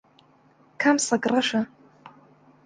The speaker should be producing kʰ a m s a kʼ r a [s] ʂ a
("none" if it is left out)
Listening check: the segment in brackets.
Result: none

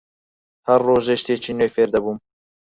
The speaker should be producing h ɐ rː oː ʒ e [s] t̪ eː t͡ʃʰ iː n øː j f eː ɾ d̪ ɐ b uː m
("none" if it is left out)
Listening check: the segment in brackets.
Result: ʃ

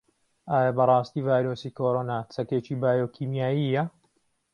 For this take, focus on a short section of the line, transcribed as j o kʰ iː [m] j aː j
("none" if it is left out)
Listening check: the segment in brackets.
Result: m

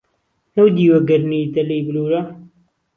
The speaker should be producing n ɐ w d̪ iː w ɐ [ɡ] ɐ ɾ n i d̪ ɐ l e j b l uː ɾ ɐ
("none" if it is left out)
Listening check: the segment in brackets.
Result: ɡ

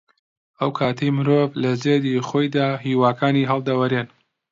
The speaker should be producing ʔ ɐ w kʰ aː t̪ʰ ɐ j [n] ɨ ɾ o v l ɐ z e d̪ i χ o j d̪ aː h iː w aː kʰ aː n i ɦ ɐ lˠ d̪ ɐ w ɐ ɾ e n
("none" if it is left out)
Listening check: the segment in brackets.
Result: m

